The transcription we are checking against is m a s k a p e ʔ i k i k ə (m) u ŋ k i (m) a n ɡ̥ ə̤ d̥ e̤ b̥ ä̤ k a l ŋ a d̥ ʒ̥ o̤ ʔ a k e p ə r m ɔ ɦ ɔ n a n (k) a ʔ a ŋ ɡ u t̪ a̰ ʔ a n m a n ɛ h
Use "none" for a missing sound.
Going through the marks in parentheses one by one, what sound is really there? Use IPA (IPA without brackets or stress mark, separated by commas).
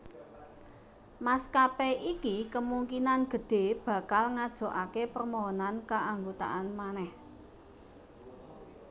m, n, k